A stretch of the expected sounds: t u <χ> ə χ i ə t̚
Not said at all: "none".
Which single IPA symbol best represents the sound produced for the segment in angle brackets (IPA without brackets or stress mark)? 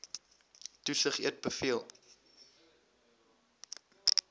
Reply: s